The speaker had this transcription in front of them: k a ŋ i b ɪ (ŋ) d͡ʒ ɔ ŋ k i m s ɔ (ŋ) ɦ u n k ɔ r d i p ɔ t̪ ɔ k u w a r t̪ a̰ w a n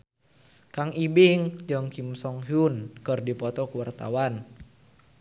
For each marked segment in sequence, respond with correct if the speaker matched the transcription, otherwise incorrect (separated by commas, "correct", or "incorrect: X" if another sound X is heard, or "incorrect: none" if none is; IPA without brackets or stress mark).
correct, correct